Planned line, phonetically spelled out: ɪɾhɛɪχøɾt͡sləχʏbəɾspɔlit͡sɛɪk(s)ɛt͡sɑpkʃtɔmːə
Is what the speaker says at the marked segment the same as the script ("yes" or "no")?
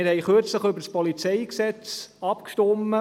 yes